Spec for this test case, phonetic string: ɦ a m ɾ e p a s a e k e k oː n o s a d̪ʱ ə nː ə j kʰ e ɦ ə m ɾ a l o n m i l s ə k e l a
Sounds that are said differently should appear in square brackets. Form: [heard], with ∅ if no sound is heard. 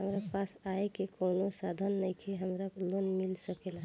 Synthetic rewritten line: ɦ [ə] m ɾ [a] p a s a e k e k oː n o s a d̪ʱ ə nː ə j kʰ e ɦ ə m ɾ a l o n m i l s ə k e l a